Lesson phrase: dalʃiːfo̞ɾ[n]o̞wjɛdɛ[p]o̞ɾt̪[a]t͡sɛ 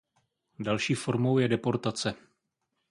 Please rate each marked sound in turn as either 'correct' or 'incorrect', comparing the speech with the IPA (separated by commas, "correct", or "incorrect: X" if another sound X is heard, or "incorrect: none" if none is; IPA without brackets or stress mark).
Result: incorrect: m, correct, correct